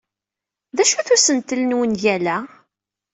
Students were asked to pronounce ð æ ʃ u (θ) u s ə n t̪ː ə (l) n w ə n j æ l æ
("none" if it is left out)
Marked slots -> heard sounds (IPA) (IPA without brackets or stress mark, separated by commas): θ, l